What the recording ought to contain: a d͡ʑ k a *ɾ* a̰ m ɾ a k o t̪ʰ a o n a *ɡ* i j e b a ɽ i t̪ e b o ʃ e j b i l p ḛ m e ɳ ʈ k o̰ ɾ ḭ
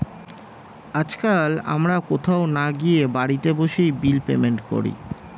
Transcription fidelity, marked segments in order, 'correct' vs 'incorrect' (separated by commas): incorrect, correct